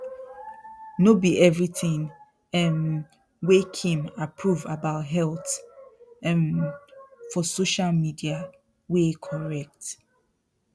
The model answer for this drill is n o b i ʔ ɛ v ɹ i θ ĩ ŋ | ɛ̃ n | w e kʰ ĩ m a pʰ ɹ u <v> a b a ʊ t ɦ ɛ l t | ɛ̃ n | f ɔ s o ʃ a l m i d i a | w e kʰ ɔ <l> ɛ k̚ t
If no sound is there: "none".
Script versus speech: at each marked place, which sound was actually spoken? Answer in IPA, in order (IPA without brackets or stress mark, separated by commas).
v, ɹ